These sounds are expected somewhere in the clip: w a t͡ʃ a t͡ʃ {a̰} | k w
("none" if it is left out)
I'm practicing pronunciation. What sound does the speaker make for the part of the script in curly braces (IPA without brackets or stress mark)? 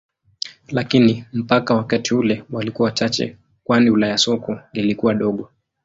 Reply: ɛ̰